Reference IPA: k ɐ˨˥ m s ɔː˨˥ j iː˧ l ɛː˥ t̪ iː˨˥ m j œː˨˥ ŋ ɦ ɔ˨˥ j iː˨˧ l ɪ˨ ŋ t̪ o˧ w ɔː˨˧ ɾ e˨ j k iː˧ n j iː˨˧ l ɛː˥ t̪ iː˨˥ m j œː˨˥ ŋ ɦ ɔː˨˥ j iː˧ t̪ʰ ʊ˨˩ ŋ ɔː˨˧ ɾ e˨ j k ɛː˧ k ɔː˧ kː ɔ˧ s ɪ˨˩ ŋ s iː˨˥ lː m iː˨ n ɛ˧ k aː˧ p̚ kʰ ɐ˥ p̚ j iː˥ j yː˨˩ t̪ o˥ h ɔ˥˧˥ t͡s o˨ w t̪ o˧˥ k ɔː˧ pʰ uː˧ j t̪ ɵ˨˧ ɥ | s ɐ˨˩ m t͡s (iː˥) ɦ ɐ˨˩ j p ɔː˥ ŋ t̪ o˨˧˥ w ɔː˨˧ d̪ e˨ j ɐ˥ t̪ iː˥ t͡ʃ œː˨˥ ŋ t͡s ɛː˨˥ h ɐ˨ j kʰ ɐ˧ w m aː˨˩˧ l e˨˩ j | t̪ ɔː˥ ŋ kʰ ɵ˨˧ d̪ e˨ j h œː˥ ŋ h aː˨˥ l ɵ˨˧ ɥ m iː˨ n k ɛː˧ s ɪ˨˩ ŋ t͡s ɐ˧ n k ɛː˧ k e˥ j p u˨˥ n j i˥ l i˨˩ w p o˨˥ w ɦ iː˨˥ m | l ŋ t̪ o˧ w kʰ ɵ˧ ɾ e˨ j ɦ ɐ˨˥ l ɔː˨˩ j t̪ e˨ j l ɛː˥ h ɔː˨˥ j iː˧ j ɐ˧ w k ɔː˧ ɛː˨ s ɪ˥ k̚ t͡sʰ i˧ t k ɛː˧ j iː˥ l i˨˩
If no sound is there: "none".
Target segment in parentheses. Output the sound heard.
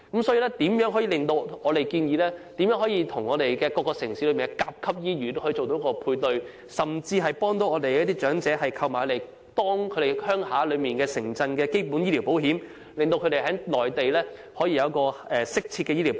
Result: iː˧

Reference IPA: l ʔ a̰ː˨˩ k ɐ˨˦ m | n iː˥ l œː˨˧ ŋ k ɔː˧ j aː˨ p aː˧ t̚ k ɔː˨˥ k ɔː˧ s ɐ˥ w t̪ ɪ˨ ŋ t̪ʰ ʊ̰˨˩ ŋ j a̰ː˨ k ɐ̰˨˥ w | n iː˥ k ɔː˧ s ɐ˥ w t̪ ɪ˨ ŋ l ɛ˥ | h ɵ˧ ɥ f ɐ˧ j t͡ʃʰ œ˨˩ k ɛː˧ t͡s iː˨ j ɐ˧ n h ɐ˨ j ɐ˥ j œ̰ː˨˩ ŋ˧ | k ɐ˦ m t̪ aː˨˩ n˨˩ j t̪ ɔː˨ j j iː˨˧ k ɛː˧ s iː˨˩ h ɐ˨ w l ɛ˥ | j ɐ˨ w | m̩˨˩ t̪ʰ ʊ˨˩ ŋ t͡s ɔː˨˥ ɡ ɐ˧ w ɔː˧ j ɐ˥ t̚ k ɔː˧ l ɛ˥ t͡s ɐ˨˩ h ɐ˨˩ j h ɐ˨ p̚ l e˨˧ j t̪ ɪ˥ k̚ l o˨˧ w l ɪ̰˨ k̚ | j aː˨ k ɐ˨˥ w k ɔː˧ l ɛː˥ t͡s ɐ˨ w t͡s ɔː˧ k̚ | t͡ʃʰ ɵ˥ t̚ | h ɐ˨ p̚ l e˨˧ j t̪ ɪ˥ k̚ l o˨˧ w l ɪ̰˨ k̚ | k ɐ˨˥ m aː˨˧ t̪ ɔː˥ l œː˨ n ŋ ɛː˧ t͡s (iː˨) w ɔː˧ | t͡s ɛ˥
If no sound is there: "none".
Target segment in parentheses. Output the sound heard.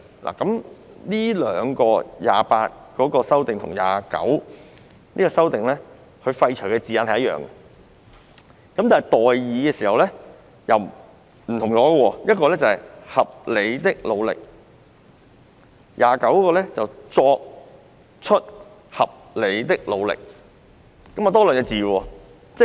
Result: iː˨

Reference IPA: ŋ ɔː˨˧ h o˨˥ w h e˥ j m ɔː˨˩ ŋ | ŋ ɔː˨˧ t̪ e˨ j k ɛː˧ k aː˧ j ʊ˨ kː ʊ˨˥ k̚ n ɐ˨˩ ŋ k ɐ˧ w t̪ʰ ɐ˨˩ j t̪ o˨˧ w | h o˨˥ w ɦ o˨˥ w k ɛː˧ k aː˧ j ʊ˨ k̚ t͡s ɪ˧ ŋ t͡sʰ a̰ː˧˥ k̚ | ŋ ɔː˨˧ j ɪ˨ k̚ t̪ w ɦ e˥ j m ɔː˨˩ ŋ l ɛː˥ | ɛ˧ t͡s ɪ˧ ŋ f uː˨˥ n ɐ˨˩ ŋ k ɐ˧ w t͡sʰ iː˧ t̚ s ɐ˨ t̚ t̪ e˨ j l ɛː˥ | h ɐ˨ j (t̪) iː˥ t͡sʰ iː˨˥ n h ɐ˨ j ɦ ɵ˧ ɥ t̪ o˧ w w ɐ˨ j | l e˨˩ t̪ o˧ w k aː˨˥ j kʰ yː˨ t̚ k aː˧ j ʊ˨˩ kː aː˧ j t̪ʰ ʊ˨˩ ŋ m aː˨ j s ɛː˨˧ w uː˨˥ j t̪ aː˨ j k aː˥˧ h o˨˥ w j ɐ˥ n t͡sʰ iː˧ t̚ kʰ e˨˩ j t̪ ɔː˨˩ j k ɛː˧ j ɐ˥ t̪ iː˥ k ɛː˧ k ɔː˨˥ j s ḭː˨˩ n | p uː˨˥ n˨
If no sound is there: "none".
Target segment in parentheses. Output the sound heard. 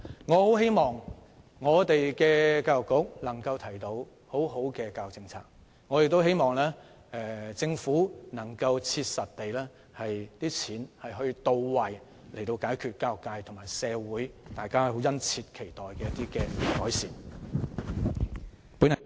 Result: t̪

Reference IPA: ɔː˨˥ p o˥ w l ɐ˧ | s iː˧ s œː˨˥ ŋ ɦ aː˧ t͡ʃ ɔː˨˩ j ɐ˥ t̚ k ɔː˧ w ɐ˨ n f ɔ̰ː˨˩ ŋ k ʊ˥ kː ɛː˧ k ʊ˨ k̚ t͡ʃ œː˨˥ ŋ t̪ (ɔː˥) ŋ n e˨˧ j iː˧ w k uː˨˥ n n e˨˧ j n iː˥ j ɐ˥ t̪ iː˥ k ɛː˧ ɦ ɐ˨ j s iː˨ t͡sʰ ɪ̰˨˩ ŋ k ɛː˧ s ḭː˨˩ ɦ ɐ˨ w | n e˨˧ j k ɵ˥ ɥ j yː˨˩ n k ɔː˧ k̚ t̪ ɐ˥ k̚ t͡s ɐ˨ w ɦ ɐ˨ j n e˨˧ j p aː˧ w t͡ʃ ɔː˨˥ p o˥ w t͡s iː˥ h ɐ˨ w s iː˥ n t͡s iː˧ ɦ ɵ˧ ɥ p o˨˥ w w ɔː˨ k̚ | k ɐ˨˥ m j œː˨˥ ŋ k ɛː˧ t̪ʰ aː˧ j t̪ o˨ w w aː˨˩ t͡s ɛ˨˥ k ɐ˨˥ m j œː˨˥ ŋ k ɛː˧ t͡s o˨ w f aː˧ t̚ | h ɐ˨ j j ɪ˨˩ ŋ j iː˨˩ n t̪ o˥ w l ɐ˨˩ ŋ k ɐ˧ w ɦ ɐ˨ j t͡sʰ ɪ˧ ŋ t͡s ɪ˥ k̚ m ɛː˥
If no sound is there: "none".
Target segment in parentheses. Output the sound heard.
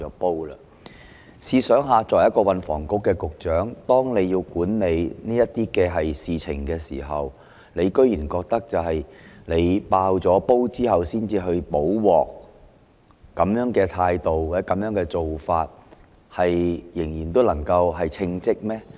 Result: ɔː˥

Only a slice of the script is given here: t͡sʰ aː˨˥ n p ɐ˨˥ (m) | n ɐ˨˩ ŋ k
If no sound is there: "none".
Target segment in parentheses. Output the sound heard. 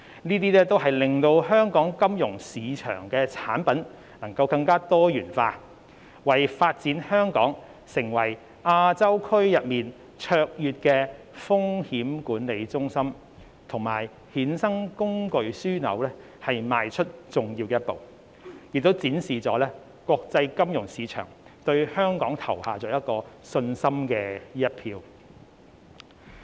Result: n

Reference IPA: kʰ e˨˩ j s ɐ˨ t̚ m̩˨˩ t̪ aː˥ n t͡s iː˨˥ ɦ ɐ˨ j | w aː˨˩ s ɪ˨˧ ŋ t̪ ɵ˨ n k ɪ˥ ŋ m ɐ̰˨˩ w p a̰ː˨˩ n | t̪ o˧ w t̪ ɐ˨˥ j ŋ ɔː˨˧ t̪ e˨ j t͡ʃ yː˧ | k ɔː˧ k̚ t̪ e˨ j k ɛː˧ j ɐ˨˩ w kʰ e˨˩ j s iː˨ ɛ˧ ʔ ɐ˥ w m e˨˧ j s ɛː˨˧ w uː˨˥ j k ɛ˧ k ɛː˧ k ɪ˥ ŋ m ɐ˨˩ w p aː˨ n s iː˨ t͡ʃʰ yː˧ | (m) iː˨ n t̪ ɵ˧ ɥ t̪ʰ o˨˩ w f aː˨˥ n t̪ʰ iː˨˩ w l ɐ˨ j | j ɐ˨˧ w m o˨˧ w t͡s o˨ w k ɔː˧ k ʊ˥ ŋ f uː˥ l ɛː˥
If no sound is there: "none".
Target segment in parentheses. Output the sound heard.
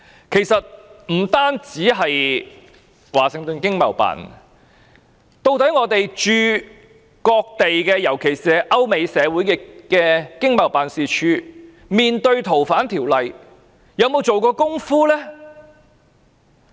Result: m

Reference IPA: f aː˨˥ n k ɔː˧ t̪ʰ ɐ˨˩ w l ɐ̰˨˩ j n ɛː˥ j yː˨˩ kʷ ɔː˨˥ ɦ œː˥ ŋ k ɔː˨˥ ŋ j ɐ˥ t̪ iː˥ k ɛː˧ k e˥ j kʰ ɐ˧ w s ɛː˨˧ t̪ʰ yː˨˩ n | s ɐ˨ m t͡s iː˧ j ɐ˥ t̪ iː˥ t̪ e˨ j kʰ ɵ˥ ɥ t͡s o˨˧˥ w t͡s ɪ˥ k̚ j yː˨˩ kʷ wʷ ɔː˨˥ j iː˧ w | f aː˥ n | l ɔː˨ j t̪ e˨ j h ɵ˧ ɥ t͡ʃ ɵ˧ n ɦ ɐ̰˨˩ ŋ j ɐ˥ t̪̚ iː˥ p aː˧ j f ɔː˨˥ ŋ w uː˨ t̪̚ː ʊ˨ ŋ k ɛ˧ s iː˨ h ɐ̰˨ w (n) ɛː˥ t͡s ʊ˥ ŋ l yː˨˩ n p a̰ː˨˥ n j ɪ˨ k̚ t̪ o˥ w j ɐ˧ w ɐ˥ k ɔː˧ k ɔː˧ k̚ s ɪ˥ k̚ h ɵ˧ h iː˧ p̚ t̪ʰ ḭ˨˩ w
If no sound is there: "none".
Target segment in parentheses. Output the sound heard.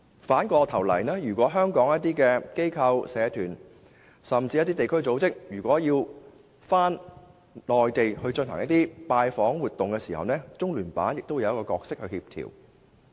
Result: n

